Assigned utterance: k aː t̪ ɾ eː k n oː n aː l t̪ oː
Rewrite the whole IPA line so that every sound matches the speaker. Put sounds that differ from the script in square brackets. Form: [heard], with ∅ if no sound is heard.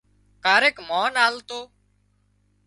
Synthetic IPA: k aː [∅] ɾ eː k [m] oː n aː l t̪ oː